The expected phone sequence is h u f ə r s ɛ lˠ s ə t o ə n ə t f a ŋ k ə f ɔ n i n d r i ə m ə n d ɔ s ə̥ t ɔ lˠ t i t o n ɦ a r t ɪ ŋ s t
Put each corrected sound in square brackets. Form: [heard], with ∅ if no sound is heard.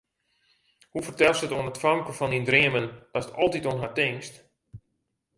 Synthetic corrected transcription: h u f ə r [t] ɛ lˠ s ə t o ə n ə t f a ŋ k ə f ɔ n i n d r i ə m ə n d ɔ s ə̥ t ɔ lˠ t i t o n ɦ a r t ɪ ŋ s t